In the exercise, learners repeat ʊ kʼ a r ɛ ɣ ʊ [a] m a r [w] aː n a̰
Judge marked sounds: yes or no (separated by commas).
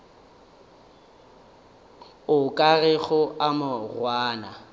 yes, yes